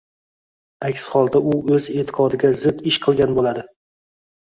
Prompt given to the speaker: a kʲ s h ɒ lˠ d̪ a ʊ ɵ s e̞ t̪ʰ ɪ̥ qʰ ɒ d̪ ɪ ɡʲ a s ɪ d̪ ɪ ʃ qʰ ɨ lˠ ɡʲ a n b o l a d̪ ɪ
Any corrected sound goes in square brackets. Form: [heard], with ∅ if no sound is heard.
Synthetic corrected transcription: a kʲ s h ɒ lˠ d̪ a ʊ ɵ [z] e̞ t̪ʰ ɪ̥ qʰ ɒ d̪ ɪ ɡʲ a [z] ɪ d̪ ɪ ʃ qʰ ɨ lˠ ɡʲ a n b o l a d̪ ɪ